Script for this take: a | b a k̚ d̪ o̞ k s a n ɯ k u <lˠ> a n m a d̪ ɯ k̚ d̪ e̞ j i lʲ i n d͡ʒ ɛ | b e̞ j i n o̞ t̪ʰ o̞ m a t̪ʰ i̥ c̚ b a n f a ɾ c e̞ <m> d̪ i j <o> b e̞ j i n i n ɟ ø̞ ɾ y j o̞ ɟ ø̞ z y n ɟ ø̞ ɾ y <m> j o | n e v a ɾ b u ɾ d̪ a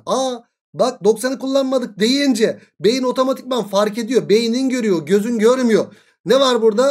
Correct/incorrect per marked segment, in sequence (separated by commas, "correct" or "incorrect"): incorrect, incorrect, correct, correct